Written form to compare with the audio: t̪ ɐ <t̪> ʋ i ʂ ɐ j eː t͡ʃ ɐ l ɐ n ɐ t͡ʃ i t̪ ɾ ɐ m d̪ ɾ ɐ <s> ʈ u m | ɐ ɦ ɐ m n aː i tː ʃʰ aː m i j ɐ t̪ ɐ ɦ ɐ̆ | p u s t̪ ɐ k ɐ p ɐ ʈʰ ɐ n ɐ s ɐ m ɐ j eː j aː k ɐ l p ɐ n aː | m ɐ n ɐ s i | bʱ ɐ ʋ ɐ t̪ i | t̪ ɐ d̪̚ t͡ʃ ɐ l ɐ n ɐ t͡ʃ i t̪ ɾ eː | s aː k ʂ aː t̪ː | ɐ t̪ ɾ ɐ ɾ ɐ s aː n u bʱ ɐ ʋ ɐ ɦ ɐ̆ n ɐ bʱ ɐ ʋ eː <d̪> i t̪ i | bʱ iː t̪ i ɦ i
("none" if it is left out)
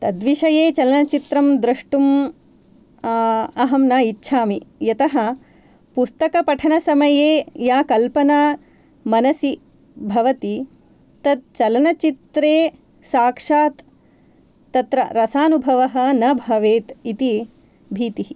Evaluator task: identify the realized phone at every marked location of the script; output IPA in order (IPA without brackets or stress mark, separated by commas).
d̪, ʂ, t̪